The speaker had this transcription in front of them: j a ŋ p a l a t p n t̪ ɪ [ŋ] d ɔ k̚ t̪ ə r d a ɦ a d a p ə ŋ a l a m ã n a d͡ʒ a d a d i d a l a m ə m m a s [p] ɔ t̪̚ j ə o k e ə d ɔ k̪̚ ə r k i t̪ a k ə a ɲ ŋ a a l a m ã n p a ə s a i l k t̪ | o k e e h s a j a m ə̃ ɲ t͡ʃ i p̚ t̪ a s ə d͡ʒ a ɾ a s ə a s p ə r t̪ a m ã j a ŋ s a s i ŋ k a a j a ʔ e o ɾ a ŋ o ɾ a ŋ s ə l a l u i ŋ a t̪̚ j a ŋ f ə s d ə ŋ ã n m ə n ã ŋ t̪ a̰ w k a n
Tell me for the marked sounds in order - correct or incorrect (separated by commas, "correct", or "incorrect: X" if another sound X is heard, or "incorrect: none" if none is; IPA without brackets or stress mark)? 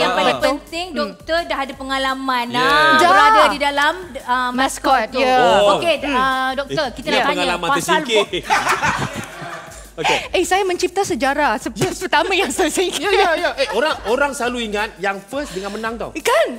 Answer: correct, incorrect: k